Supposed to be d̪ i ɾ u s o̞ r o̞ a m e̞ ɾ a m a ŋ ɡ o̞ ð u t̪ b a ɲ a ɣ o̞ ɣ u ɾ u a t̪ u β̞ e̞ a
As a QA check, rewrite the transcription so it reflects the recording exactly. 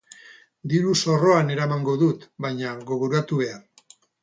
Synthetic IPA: d̪ i ɾ u s o̞ r o̞ a n e̞ ɾ a m a ŋ ɡ o̞ ð u t̪ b a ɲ a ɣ o̞ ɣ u ɾ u a t̪ u β̞ e̞ a

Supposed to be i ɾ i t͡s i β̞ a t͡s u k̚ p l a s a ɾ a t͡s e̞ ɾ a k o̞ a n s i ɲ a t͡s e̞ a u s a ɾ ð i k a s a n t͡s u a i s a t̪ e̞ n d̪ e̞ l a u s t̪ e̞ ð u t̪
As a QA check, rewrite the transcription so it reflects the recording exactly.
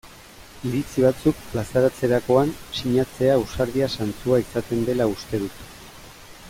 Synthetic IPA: i ɾ i t͡s i β̞ a t͡s u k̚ p l a s a ɾ a t͡s e̞ ɾ a k o̞ a n s i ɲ a t͡s e̞ a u s a ɾ ð i a s a n t͡s u a i s a t̪ e̞ n d̪ e̞ l a u s t̪ e̞ ð u t̪

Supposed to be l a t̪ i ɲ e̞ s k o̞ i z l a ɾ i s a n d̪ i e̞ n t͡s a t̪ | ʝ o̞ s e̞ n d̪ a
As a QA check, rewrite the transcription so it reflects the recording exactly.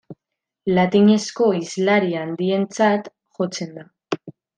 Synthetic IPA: l a t̪ i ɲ e̞ s k o̞ i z l a ɾ i a n d̪ i e̞ n t͡s a t̪ | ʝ o̞ t͡s e̞ n d̪ a

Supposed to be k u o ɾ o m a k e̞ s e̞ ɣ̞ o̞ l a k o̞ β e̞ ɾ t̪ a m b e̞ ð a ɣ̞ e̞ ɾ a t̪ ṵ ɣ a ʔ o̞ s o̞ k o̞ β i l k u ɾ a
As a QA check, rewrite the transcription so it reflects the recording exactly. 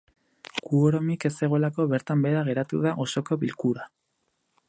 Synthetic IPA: k u o ɾ o m i k e̞ s e̞ ɣ̞ o̞ l a k o̞ β e̞ ɾ t̪ a m b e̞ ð a ɣ̞ e̞ ɾ a t̪ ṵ ð a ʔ o̞ s o̞ k o̞ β i l k u ɾ a

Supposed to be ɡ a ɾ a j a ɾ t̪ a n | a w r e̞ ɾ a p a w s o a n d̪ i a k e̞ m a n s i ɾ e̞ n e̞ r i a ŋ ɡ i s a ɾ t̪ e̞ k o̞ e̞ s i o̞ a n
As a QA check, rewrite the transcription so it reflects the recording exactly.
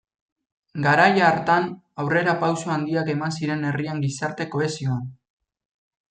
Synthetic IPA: ɡ a ɾ a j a ɾ t̪ a n | a w r e̞ ɾ a p a w s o a n d̪ i a k e̞ m a n s i ɾ e̞ n e̞ r i a ŋ ɡ i s a ɾ t̪ e̞ k o̞ e̞ s i o̞ a n

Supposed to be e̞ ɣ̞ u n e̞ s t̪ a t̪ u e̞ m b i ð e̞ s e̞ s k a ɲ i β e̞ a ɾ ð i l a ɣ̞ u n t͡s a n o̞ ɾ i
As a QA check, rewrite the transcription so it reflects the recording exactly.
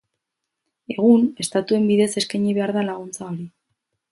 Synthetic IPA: e̞ ɣ̞ u n e̞ s t̪ a t̪ u e̞ m b i ð e̞ s e̞ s k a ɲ i β e̞ a ɾ ð a l a ɣ̞ u n t͡s a o̞ ɾ i

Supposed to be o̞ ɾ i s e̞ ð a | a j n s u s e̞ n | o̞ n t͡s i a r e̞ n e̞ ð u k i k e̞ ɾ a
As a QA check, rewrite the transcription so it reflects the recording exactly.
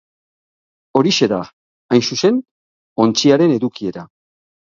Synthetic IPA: o̞ ɾ i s e̞ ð a | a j n s u s e̞ n | o̞ n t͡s i a ɾ e̞ n e̞ ð u k i e̞ ɾ a

